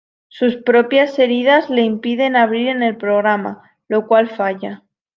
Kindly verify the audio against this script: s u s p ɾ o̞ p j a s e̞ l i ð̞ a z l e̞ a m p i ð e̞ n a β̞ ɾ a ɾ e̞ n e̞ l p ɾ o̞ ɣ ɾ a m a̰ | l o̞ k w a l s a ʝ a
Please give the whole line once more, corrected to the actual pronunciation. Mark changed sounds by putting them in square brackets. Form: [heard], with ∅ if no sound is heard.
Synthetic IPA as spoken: s u s p ɾ o̞ p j a s e̞ [ɾ] i ð̞ a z l e̞ [i] m p i ð e̞ n a β̞ ɾ [i] ɾ e̞ n e̞ l p ɾ o̞ ɣ ɾ a m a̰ | l o̞ k w a l [f] a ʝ a

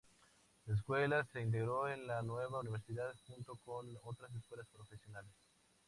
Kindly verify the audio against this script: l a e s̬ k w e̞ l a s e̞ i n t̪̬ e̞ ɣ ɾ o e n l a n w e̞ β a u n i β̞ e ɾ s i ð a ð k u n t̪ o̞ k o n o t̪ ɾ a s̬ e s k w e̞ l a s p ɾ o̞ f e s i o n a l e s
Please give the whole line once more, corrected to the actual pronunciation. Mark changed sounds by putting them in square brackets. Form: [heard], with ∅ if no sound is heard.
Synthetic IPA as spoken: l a e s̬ k w e̞ l a s e̞ i n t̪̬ e̞ ɣ ɾ o e n l a n w e̞ β a u n i β̞ e ɾ s i ð a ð [x] u n t̪ o̞ k o n o t̪ ɾ a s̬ e s k w e̞ l a s p ɾ o̞ f e s [j] o n a l e s

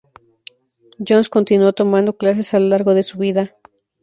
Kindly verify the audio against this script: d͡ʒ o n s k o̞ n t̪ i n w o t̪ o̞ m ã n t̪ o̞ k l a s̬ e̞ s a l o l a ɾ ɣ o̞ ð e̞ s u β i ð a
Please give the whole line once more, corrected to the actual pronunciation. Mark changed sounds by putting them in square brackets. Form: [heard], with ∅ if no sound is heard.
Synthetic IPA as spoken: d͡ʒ o n s k o̞ n t̪ i n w o t̪ o̞ m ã n [d̪] o̞ k l a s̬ e̞ s a l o l a ɾ ɣ o̞ ð e̞ s u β i ð a

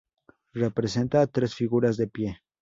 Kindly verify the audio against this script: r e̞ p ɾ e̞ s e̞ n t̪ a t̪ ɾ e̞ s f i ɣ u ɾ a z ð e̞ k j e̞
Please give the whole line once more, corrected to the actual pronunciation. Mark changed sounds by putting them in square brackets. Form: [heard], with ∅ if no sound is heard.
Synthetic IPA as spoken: r e̞ p ɾ e̞ s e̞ n t̪ a t̪ ɾ e̞ s f i ɣ u ɾ a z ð e̞ [p] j e̞

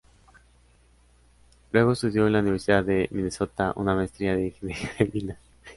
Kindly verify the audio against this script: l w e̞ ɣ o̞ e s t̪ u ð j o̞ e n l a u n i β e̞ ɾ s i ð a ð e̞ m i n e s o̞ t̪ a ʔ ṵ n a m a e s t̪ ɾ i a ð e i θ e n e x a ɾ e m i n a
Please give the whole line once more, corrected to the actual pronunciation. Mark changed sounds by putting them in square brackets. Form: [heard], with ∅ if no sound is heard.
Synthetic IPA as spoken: l w e̞ ɣ o̞ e s t̪ u ð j o̞ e n l a u n i β e̞ ɾ s i ð a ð e̞ m i n e s o̞ t̪ a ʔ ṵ n a m a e s t̪ ɾ i a ð e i [x] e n e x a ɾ e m i n a

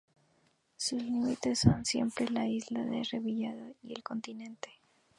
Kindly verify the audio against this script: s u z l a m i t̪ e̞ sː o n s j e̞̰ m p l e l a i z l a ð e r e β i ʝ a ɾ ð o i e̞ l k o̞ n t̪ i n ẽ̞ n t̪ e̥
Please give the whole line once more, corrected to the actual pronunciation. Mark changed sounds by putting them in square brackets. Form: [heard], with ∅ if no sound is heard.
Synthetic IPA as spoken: s u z l [i] m i t̪ e̞ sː o n s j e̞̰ m p [ɾ] e l a i z l a ð e r e β i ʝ a [∅] ð o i e̞ l k o̞ n t̪ i n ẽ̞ n t̪ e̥

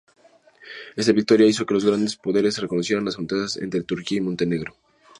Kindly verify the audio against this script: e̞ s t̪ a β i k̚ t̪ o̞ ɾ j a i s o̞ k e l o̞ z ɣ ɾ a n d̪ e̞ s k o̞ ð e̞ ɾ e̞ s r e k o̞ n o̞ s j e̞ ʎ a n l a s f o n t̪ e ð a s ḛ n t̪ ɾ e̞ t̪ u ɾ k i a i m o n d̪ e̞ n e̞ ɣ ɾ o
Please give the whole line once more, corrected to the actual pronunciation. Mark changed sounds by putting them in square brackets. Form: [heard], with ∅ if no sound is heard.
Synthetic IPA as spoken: e̞ s t̪ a β i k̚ t̪ o̞ ɾ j a i s o̞ k e l o̞ z ɣ ɾ a n d̪ e̞ s [p] o̞ ð e̞ ɾ e̞ s r e k o̞ n o̞ s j e̞ [ɾ] a n l a s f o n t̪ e ð a s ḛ n t̪ ɾ e̞ t̪ u ɾ k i a i m o n [t̪] e̞ n e̞ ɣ ɾ o

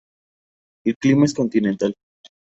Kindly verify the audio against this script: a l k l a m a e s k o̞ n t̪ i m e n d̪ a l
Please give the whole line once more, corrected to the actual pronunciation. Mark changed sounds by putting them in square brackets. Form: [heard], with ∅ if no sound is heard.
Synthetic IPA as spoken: [e] l k l [i] m a e s k o̞ n t̪ i [n] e n [t̪] a l

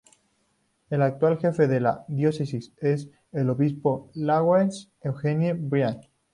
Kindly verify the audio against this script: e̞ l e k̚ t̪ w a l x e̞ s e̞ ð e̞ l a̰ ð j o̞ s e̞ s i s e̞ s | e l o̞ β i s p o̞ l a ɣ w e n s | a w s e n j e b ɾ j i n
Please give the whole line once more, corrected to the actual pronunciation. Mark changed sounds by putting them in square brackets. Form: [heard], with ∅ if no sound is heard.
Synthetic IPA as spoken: e̞ l [a] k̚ t̪ w a l x e̞ [f] e̞ ð e̞ l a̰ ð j o̞ s e̞ s i s e̞ s | e l o̞ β i s p o̞ l a ɣ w e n s | [e] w [x] e n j e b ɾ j [a] n

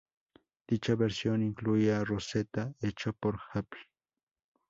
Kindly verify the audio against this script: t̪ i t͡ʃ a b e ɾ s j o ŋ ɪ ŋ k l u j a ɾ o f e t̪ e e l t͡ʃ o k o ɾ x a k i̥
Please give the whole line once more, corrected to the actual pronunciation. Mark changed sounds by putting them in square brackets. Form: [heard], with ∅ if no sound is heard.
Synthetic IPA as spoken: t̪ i t͡ʃ a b e ɾ s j o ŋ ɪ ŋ k l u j a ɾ o [s] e t̪ [a] e [∅] t͡ʃ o [p] o ɾ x a [p] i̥

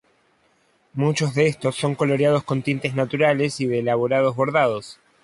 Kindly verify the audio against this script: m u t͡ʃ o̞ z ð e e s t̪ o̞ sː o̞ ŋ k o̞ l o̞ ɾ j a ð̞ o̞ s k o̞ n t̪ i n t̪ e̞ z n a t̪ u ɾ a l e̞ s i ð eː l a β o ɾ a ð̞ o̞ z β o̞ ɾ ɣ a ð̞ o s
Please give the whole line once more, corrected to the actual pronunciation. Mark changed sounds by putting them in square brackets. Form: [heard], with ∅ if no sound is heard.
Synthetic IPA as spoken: m u t͡ʃ o̞ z ð e e s t̪ o̞ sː o̞ ŋ k o̞ l o̞ ɾ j a ð̞ o̞ s k o̞ n t̪ i n t̪ e̞ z n a t̪ u ɾ a l e̞ s i ð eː l a β o ɾ a ð̞ o̞ z β o̞ ɾ [ð] a ð̞ o s

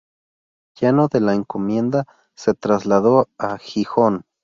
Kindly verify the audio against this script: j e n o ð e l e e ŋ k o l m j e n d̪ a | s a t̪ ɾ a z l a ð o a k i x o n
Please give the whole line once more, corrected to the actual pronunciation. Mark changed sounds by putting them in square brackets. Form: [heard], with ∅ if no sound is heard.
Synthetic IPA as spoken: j e n o ð e l [a] e ŋ k o [∅] m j e n d̪ a | s [e] t̪ ɾ a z l a ð o a [x] i x o n

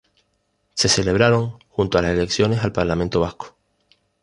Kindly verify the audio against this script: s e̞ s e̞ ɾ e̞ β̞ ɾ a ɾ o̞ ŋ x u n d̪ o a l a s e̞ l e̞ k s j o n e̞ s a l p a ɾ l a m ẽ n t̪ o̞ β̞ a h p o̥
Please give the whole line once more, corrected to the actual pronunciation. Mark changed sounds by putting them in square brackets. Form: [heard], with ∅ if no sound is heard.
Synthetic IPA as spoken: s e̞ s e̞ [l] e̞ β̞ ɾ a ɾ o̞ ŋ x u n [t̪] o a l a s e̞ l e̞ k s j o n e̞ s a l p a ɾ l a m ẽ n t̪ o̞ β̞ a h [k] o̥

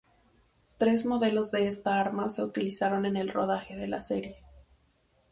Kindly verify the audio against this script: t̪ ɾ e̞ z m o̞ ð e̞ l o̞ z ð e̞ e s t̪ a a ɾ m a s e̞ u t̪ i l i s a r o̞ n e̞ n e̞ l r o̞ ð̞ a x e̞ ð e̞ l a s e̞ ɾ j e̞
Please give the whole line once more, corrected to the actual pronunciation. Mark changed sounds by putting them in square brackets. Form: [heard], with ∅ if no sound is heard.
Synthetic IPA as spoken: t̪ ɾ e̞ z m o̞ ð e̞ l o̞ z ð e̞ e s t̪ a a ɾ m a s e̞ u t̪ i l i s a [ɾ] o̞ n e̞ n e̞ l r o̞ ð̞ a x e̞ ð e̞ l a s e̞ ɾ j e̞

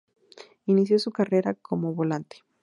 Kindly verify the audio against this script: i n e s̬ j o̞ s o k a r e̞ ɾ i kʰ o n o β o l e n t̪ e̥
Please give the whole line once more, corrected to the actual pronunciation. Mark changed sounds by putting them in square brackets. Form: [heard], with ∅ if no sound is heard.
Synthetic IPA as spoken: i n [i] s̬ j o̞ s [u] k a r e̞ ɾ [a] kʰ o [m] o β o l [a] n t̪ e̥

